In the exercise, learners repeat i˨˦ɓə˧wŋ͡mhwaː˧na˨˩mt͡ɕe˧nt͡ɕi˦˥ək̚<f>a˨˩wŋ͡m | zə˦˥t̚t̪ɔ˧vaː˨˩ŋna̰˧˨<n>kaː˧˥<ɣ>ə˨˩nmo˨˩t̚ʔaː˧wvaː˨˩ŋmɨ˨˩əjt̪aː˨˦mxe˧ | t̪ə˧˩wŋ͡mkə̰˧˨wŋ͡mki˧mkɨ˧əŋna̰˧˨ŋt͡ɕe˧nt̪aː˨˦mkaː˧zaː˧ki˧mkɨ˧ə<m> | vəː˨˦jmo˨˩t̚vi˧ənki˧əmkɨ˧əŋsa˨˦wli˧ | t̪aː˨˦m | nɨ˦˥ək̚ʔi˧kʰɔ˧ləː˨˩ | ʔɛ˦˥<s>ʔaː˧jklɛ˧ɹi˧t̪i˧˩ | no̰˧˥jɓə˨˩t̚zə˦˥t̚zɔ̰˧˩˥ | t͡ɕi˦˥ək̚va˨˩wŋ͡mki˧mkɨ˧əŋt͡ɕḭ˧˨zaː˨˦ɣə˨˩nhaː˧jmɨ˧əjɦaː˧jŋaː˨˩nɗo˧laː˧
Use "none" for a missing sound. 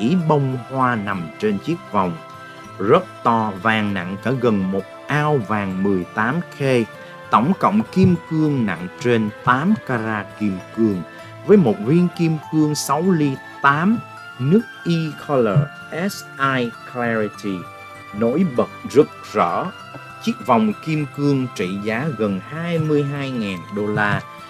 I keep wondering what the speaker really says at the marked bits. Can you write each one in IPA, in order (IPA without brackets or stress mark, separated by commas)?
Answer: v, ŋ, ɣ, ŋ, s